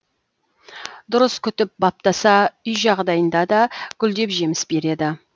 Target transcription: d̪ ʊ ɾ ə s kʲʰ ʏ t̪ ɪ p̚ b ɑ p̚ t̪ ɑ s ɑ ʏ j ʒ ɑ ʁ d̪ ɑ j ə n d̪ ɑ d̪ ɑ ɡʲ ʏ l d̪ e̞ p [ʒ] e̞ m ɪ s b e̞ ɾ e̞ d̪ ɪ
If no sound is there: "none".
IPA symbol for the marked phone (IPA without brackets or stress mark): ʒ